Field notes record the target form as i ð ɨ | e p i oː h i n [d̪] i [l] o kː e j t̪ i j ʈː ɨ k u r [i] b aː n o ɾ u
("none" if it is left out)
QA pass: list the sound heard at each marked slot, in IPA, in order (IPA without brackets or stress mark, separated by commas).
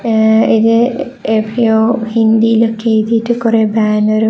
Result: d̪, l, e